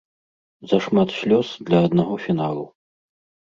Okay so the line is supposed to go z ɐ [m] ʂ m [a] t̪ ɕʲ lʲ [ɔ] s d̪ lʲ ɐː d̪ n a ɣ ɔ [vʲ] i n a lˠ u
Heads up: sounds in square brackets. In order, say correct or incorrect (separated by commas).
incorrect, correct, correct, incorrect